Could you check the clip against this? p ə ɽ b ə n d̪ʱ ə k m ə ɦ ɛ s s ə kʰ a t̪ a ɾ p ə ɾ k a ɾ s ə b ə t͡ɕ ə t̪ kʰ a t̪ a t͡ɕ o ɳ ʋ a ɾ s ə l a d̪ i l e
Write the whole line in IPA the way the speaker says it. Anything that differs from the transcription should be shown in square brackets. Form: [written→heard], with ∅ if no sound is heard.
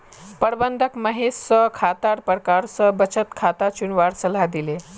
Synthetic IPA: p ə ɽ b ə n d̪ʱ ə k m ə ɦ [ɛ→e] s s ə kʰ a t̪ a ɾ p ə ɾ k a ɾ s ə b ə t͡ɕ ə t̪ kʰ a t̪ a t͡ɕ [o→u] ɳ ʋ a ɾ s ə l a d̪ i l e